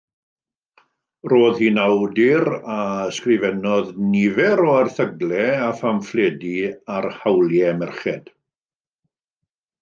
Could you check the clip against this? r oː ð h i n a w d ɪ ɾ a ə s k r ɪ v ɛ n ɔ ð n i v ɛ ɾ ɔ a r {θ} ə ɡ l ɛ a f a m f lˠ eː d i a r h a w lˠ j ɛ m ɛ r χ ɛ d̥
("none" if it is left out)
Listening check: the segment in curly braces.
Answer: θ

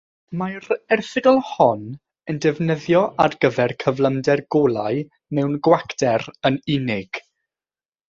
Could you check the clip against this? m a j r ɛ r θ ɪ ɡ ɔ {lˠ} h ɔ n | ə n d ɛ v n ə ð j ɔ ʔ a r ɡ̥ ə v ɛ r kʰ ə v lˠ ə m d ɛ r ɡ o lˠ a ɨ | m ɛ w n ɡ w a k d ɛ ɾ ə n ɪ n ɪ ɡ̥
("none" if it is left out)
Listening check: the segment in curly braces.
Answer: lˠ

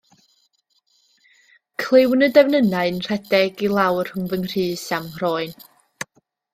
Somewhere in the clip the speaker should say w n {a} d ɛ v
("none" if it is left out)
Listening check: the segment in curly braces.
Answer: ə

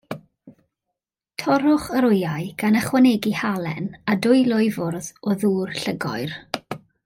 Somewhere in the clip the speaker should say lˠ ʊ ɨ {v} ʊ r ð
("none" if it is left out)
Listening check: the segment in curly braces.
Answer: v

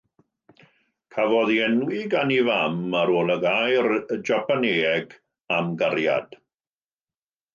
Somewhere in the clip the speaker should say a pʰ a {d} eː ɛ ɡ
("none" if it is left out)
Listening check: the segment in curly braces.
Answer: n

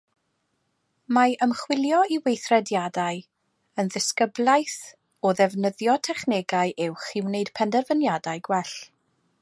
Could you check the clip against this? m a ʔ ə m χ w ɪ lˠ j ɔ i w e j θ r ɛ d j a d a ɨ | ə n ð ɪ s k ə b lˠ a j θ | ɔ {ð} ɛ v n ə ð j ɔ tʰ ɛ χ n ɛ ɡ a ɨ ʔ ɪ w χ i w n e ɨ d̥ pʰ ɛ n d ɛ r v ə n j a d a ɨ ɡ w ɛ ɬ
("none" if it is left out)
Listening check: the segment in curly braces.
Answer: ð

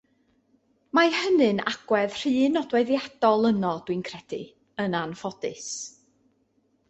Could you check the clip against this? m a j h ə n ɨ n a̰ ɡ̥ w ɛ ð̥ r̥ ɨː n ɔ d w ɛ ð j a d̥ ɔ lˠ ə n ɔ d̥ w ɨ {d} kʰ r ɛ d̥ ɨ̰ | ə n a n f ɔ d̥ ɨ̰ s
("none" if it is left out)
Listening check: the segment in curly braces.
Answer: n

